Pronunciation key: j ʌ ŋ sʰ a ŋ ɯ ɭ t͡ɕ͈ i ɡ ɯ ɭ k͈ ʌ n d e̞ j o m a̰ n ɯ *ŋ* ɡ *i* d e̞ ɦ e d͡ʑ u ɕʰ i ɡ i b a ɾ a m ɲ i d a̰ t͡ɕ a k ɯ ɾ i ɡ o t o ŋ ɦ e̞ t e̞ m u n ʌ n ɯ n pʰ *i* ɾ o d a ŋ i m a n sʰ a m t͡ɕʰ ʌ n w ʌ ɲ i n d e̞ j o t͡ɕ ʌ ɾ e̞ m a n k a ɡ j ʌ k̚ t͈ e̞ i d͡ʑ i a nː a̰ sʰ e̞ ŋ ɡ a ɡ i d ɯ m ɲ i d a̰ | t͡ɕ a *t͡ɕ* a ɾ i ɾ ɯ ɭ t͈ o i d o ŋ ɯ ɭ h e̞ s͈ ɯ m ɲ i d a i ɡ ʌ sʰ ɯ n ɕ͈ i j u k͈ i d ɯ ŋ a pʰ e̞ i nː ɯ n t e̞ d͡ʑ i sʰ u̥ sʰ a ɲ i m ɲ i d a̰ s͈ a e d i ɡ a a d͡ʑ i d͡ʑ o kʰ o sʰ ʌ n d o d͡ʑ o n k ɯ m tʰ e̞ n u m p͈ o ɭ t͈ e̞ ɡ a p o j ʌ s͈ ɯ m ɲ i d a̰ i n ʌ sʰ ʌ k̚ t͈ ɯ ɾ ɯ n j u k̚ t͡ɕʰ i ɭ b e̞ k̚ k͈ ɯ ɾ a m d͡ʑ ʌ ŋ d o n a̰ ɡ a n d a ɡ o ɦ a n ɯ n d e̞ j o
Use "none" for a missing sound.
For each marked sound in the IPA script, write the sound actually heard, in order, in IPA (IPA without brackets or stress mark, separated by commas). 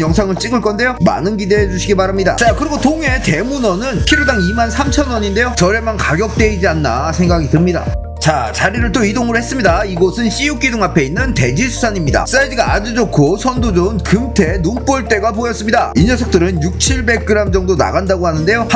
n, i, i, t͡ɕ